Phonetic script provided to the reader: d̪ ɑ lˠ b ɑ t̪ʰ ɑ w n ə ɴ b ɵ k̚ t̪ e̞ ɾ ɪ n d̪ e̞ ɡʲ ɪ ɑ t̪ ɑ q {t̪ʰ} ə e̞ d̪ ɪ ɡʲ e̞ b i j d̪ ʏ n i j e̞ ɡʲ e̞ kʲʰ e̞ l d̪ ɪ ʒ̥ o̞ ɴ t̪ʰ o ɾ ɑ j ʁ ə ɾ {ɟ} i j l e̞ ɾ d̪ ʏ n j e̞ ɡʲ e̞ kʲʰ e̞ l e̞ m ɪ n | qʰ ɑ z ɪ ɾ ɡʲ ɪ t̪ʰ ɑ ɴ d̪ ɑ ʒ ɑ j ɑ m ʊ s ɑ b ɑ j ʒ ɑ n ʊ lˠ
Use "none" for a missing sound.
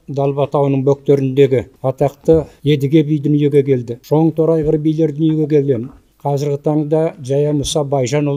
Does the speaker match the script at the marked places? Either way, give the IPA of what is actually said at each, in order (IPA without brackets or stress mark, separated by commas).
t̪, b